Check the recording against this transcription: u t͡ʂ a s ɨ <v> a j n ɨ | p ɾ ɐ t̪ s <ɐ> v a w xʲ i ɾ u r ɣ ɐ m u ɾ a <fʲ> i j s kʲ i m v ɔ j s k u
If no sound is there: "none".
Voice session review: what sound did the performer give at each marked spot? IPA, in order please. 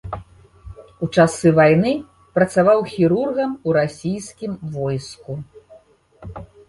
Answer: v, a, sʲ

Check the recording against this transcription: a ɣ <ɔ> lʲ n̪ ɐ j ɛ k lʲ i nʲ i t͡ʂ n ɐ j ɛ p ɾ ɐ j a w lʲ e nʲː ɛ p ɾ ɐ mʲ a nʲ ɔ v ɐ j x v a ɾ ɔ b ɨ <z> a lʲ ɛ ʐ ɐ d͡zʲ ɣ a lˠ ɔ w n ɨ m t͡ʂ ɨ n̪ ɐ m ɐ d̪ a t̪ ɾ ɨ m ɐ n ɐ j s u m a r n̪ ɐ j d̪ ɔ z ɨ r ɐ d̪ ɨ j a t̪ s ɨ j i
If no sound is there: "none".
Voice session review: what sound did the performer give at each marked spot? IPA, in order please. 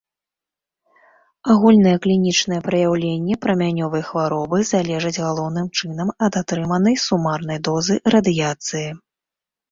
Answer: u, z

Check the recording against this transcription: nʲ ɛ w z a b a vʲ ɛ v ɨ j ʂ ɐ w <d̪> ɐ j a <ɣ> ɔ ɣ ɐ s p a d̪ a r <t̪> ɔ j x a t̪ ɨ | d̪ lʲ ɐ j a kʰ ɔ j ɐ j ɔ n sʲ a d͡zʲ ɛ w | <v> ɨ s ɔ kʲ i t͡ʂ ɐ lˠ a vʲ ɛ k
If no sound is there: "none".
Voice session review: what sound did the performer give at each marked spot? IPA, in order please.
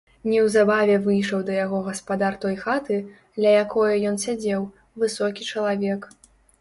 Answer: d̪, ɣ, t̪, v

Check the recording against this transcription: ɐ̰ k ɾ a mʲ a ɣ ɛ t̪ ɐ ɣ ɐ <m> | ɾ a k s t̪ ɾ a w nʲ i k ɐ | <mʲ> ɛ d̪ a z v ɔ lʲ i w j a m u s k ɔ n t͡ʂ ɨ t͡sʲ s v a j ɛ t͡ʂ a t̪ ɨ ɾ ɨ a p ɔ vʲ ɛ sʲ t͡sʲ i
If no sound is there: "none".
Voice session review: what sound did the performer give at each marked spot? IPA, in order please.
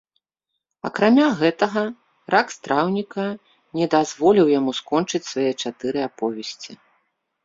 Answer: none, nʲ

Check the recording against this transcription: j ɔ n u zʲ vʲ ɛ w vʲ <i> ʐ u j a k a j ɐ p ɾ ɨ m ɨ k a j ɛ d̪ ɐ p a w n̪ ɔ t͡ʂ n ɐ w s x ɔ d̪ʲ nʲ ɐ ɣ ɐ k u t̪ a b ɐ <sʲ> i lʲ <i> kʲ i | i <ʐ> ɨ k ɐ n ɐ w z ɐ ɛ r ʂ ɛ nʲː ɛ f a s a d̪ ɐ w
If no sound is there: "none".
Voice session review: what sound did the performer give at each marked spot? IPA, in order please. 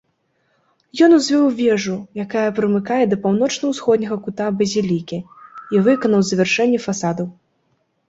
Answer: ɛ, zʲ, i, v

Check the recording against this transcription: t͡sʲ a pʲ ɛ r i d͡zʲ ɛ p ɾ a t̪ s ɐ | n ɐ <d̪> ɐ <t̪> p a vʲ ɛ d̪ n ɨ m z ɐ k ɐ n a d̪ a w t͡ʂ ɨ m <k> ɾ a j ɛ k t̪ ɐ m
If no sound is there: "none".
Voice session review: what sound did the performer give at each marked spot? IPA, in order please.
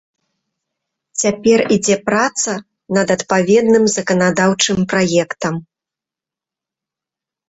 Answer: d̪, t̪, p

